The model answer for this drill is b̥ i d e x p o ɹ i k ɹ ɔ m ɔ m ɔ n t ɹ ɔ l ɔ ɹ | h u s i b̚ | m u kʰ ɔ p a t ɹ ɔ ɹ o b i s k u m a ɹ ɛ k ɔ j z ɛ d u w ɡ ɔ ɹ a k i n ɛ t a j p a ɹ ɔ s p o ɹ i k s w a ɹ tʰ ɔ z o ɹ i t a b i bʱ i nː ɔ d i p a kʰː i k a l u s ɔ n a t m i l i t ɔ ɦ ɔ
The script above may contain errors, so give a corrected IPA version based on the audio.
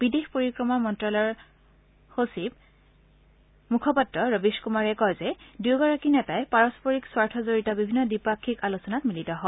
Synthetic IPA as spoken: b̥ i d e x p o ɹ i k ɹ ɔ m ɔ m ɔ n t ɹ ɔ l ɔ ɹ | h o s i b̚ | m u kʰ ɔ p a t ɹ ɔ ɹ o b i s k u m a ɹ ɛ k ɔ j z ɛ d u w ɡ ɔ ɹ a k i n ɛ t a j p a ɹ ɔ s p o ɹ i k s w a ɹ tʰ ɔ z o ɹ i t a b i bʱ i nː ɔ d i p a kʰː i k a l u s ɔ n a t m i l i t ɔ ɦ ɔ